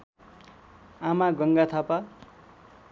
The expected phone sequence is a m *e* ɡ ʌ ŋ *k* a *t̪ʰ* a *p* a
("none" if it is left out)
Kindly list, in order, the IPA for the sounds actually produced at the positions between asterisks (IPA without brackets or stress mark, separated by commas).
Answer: a, ɡ, t̪ʰ, p